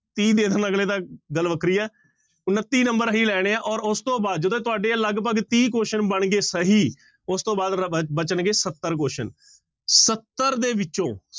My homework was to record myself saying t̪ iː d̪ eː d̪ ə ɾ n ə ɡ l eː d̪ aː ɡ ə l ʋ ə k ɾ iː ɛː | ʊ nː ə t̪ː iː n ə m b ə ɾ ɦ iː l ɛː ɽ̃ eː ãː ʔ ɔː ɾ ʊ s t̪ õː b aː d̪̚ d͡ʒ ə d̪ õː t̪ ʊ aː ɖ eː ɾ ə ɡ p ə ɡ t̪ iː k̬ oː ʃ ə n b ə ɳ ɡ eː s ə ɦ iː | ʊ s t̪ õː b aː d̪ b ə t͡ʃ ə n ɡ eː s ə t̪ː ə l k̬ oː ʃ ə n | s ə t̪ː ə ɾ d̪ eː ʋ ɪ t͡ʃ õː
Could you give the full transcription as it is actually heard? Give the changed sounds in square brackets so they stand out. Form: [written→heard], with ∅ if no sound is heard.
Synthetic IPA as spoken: t̪ iː d̪ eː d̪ ə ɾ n ə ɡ l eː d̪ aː ɡ ə l ʋ ə k ɾ iː ɛː | ʊ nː ə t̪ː iː n ə m b ə ɾ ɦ iː l ɛː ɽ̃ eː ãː ʔ ɔː ɾ ʊ s t̪ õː b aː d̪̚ d͡ʒ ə d̪ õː t̪ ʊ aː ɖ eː [ɾ→l] ə ɡ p ə ɡ t̪ iː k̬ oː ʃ ə n b ə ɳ ɡ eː s ə ɦ iː | ʊ s t̪ õː b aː d̪ b ə t͡ʃ ə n ɡ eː s ə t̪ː ə [l→ɾ] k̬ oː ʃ ə n | s ə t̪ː ə ɾ d̪ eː ʋ ɪ t͡ʃ õː